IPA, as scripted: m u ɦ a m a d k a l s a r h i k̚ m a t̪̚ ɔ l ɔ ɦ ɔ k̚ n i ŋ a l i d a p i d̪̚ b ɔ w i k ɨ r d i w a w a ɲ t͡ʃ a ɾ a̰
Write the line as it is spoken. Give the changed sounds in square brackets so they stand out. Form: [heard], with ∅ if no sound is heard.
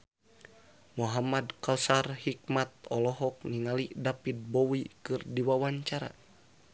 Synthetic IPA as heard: m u ɦ a m a d k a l s a r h i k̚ m a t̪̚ ɔ l ɔ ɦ ɔ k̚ n i ŋ a l i d a p i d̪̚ b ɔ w i k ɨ r d i w a w a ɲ t͡ʃ a ɾ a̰